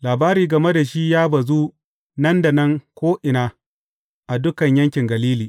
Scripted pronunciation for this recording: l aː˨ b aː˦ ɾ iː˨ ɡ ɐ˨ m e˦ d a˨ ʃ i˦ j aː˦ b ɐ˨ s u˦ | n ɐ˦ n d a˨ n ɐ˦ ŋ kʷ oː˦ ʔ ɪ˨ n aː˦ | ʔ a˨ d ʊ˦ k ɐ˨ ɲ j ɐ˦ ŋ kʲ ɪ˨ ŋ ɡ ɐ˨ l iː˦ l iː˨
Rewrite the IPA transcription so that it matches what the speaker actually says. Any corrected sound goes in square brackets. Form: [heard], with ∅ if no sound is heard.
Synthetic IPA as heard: l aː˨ b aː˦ ɾ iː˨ ɡ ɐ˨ m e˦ d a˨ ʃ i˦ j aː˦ b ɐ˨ [z] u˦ | n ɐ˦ n d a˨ n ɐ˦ ŋ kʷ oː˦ ʔ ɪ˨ n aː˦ | ʔ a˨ d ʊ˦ k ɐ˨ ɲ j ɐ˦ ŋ kʲ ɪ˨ ŋ ɡ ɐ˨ l iː˦ l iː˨